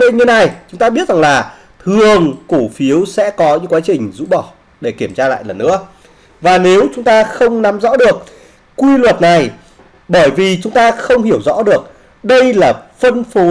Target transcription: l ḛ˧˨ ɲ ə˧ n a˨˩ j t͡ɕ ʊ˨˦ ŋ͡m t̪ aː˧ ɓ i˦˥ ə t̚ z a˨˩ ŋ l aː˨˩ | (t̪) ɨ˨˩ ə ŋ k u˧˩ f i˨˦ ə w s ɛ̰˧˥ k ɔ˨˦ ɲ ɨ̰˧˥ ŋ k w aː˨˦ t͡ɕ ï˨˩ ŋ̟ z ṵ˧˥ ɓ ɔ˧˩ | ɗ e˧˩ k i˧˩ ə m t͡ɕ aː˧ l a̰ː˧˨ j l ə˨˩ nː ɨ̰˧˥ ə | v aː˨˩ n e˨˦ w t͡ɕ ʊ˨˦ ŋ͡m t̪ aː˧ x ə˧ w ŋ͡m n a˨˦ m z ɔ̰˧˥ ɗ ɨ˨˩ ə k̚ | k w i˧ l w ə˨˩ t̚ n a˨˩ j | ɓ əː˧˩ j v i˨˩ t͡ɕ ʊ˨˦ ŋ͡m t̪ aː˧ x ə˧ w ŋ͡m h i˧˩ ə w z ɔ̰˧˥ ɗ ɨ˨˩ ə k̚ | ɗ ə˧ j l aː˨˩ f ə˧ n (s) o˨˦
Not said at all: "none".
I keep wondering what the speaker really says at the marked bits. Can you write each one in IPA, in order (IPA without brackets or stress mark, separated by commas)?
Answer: t̪ʰ, f